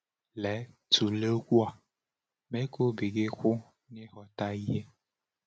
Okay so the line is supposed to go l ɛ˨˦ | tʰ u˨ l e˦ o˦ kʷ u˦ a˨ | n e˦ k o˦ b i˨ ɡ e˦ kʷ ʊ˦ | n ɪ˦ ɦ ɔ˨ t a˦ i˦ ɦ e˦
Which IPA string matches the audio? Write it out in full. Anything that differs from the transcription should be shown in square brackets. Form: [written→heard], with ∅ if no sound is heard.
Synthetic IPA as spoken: l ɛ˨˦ | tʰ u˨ l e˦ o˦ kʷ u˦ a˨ | [n→m] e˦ k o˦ b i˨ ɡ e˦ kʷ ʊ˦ | n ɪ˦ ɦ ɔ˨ t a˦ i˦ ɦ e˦